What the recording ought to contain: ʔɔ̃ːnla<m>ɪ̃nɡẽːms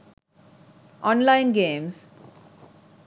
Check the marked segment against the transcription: incorrect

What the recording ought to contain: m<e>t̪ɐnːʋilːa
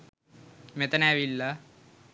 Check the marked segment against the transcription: correct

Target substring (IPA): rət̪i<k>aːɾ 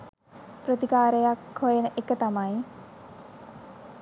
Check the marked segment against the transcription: correct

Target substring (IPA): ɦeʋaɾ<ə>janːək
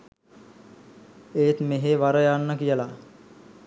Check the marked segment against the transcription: correct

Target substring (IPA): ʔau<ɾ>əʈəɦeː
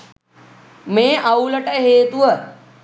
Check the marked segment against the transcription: incorrect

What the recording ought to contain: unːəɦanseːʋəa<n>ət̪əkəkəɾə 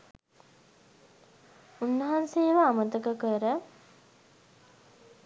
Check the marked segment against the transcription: incorrect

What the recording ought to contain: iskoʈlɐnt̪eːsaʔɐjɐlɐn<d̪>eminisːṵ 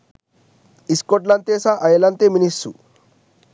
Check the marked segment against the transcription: incorrect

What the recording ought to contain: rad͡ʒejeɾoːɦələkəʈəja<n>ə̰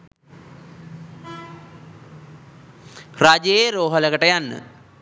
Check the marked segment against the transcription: incorrect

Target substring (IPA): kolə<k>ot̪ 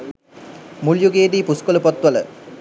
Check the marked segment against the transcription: incorrect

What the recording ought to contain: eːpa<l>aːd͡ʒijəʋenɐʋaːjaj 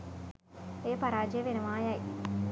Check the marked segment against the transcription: incorrect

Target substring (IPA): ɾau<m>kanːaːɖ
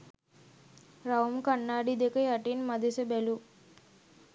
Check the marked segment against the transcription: correct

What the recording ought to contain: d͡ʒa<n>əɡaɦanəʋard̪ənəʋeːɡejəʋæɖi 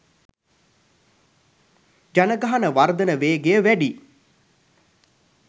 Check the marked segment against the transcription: correct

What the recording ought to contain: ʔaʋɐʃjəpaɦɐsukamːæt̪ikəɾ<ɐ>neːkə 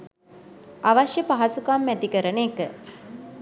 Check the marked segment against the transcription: incorrect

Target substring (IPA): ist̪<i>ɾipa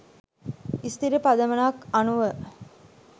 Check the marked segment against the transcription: correct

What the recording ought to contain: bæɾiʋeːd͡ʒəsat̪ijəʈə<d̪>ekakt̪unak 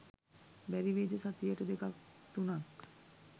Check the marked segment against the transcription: correct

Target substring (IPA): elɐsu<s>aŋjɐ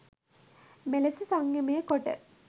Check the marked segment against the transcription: correct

